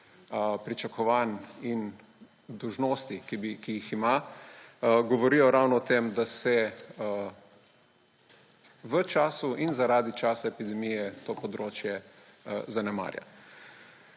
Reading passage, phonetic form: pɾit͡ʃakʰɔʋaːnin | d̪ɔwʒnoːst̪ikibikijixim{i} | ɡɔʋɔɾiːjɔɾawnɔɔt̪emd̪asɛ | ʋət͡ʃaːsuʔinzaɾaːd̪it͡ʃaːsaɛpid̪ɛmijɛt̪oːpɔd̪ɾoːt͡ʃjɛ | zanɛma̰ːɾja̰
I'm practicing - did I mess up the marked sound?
yes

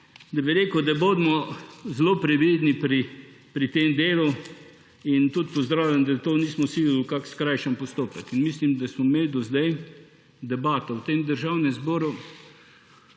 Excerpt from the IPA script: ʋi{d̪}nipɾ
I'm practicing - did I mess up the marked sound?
no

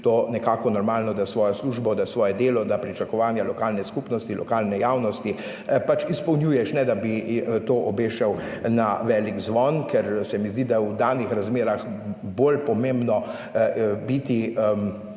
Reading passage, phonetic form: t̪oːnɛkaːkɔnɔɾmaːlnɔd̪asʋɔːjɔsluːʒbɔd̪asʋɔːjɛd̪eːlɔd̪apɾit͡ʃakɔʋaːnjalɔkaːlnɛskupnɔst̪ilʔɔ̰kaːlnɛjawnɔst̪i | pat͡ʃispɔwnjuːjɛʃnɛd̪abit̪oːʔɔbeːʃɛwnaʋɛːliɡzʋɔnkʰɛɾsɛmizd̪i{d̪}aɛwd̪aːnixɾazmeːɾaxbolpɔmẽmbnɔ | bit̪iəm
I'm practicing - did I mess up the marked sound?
no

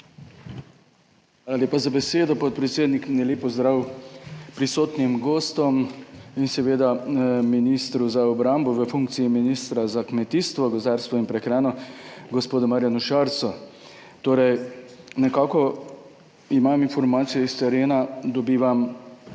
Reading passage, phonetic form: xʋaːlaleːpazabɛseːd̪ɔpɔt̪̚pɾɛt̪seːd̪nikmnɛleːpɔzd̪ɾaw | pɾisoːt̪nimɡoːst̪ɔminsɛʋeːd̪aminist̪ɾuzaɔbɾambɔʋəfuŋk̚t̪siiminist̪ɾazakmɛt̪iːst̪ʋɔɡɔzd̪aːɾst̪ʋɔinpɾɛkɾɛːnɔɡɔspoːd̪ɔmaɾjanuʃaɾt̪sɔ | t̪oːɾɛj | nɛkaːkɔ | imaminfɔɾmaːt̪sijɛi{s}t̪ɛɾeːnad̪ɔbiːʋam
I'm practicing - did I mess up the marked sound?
no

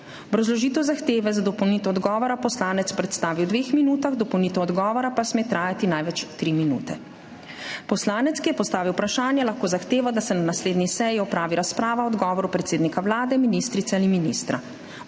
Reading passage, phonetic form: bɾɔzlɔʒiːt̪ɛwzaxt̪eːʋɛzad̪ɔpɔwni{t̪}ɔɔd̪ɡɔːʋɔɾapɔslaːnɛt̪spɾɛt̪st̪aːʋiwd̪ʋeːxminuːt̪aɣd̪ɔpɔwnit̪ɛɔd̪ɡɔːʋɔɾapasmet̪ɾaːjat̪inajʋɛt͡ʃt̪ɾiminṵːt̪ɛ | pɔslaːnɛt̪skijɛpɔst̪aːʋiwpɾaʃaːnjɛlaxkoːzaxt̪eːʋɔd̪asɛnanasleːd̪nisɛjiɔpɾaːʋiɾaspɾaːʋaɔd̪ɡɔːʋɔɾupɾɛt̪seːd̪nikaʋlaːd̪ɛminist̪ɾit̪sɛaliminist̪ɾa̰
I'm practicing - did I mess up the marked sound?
no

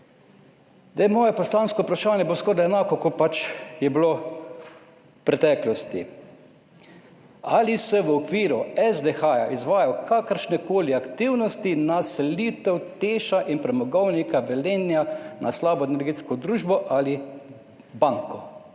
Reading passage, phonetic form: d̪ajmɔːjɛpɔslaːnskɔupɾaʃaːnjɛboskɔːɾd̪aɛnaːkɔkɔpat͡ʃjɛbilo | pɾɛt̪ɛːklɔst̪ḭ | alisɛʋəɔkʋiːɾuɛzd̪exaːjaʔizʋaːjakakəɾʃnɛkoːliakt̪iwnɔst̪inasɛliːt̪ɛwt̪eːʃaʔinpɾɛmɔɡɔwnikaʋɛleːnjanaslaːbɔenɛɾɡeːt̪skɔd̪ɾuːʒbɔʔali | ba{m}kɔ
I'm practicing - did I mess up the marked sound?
yes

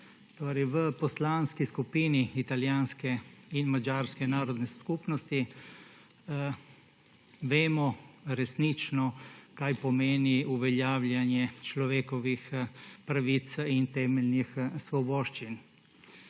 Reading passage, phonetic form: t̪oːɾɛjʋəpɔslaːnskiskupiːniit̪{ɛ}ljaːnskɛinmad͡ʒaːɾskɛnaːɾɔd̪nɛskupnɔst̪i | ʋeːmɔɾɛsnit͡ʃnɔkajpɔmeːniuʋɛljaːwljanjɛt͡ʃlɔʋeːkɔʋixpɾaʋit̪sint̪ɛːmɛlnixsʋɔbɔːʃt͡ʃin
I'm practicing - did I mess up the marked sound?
yes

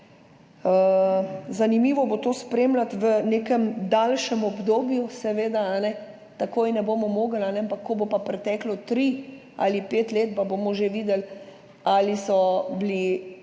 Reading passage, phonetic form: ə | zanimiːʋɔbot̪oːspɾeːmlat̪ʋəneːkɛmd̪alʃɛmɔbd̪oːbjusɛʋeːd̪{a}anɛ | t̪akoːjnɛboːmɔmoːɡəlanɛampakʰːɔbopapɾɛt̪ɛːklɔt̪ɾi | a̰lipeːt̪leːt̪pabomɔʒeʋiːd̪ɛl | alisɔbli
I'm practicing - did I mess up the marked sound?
no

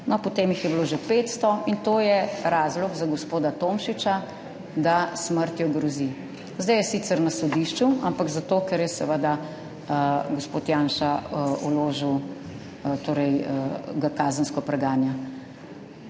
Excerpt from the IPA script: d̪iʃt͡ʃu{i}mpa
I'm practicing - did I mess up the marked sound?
yes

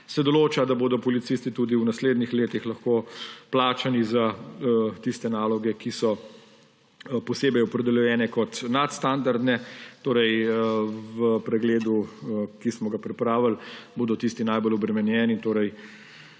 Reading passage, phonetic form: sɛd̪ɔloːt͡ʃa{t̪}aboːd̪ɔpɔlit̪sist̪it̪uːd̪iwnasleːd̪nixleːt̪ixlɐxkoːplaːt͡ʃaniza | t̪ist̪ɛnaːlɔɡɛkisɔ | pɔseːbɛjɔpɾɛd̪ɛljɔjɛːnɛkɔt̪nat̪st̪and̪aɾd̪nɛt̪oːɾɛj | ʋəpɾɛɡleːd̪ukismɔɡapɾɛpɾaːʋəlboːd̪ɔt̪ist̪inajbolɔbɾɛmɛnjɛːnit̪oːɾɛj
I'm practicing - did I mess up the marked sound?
yes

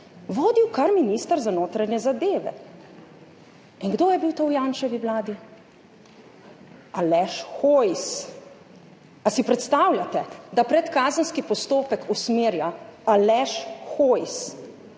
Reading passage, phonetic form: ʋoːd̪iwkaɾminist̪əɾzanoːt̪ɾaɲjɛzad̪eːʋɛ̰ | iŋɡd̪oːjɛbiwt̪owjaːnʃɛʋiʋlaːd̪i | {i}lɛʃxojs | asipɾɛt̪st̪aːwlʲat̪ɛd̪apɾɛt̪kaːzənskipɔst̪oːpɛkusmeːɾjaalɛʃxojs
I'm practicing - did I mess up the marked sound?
yes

